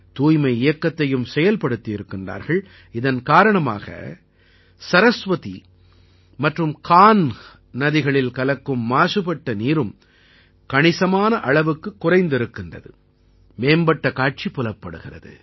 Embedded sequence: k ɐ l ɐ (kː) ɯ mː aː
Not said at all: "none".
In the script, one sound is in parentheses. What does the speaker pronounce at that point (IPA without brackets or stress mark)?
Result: kː